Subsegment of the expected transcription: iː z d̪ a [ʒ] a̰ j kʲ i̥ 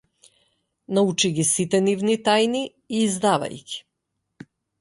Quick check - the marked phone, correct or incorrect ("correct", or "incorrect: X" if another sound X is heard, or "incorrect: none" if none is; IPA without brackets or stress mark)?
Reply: incorrect: v